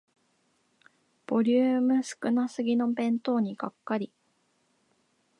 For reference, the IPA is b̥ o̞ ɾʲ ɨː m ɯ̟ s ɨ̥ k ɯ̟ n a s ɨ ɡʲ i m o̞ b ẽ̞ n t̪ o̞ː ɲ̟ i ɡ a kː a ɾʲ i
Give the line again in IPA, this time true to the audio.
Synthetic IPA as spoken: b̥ o̞ ɾʲ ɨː m ɯ̟ s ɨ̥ k ɯ̟ n a s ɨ ɡʲ i n o̞ b ẽ̞ n t̪ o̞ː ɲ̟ i ɡ a kː a ɾʲ i